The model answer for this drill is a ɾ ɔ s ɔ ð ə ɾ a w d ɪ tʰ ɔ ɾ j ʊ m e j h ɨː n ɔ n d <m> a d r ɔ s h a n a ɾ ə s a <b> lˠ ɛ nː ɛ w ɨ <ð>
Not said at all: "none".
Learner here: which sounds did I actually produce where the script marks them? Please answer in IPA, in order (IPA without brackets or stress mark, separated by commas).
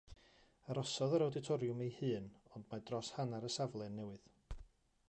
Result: m, v, ð